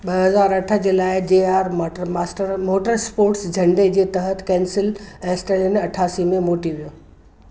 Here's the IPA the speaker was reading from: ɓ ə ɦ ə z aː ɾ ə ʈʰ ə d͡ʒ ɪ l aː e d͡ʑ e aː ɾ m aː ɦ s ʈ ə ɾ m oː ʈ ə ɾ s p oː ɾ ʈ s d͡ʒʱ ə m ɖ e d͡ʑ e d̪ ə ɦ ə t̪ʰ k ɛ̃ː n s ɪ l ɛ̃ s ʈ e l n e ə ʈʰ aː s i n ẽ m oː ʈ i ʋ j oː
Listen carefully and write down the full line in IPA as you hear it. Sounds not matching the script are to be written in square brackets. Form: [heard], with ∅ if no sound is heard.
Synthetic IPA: ɓ ə ɦ ə z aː ɾ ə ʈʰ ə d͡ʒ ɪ l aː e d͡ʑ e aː ɾ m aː [∅] s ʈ ə ɾ m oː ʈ ə ɾ s p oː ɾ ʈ s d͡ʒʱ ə [ɳ] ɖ e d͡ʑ e [t̪] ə ɦ ə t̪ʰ k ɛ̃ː n s ɪ l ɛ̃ s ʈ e l n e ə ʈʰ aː s i [m] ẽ m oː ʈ i ʋ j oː